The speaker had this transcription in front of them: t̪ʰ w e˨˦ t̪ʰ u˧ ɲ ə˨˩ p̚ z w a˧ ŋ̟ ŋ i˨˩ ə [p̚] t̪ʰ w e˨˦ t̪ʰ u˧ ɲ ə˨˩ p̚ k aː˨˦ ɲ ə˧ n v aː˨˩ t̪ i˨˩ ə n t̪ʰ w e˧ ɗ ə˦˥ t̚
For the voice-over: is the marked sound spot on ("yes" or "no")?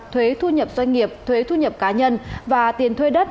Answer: yes